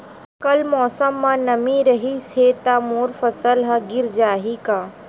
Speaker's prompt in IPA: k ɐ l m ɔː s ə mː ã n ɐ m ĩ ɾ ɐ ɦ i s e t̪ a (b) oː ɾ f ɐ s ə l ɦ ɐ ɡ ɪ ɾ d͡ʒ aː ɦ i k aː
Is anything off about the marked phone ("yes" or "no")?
yes